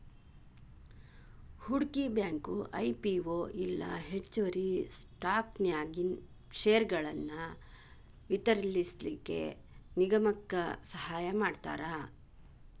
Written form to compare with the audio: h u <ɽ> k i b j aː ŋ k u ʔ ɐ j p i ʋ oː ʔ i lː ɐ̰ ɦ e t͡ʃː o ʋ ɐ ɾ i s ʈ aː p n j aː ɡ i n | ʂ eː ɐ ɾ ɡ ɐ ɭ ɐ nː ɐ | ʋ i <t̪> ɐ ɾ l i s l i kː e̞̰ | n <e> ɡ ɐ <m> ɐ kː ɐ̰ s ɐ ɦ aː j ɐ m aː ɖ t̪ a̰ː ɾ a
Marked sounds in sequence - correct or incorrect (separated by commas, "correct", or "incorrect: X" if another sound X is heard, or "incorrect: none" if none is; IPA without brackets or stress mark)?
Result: correct, correct, incorrect: i, correct